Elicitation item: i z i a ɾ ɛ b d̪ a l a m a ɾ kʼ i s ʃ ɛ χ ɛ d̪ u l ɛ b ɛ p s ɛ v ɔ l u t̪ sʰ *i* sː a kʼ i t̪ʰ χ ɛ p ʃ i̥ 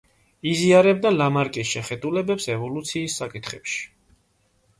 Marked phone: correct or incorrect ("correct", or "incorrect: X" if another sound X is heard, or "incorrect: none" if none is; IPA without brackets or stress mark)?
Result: incorrect: iː